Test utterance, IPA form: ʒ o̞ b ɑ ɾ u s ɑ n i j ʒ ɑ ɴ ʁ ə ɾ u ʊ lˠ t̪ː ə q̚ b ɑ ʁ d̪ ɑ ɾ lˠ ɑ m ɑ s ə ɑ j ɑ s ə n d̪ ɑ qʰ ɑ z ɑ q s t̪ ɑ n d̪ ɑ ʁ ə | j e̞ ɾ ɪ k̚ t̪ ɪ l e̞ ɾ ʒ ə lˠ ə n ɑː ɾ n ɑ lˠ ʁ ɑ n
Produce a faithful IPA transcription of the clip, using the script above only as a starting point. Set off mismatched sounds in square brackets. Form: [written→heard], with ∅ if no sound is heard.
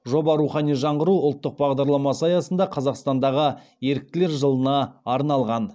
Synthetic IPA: ʒ o̞ b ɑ ɾ u [s→χ] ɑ n i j ʒ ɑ ɴ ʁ ə ɾ u ʊ lˠ t̪ː ə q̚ b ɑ ʁ d̪ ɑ ɾ lˠ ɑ m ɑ s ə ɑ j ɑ s ə n d̪ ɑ qʰ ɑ z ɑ q s t̪ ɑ n d̪ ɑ ʁ ə | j e̞ ɾ ɪ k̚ t̪ ɪ l e̞ ɾ ʒ ə lˠ ə n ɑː ɾ n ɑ lˠ ʁ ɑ n